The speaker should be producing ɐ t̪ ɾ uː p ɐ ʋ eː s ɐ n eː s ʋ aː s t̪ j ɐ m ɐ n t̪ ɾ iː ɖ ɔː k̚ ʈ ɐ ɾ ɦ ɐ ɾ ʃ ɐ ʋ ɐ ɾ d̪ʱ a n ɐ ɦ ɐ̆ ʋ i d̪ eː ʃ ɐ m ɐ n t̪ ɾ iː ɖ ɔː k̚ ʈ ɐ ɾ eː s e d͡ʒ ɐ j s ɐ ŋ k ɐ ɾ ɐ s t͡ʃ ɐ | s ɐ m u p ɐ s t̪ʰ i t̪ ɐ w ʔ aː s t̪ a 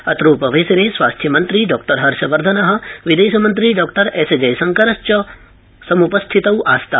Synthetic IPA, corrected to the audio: ɐ t̪ ɾ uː p ɐ ʋ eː s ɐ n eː s ʋ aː s t̪ʰ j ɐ m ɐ n t̪ ɾ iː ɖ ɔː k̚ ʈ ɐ ɾ ɦ ɐ ɾ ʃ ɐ ʋ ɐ ɾ d̪ʱ ɐ n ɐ ɦ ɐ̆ ʋ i d̪ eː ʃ ɐ m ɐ n t̪ ɾ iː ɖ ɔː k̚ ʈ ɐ ɾ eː s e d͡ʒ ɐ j s ɐ ŋ k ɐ ɾ ɐ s t͡ʃ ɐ | s ɐ m u p ɐ s t̪ʰ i t̪ ɐ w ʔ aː s t̪ a